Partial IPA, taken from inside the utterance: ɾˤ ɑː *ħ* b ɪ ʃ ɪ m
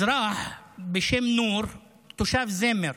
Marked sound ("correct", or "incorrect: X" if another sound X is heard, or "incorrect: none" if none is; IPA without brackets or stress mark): correct